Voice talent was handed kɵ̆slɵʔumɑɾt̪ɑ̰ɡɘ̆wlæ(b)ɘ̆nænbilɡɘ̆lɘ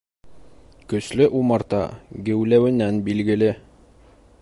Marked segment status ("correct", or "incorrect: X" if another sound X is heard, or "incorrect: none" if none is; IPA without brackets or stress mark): incorrect: w